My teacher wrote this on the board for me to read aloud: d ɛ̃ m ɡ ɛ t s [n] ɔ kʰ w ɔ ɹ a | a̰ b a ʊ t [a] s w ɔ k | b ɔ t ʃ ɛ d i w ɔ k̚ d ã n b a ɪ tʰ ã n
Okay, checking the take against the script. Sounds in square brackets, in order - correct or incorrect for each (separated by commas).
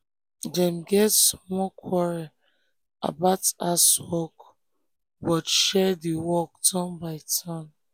incorrect, correct